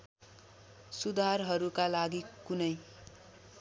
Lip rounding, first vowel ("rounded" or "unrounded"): rounded